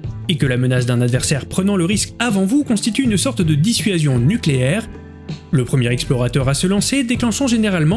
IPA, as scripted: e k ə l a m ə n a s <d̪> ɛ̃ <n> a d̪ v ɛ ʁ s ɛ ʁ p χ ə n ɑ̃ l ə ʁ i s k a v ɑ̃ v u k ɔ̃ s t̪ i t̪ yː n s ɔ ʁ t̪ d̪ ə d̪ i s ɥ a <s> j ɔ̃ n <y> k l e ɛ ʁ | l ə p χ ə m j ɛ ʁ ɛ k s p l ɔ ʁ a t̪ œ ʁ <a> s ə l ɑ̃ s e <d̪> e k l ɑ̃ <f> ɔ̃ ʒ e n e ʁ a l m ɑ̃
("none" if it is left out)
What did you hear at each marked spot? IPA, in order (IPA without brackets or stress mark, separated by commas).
d̪, n, z, y, a, d̪, ʃ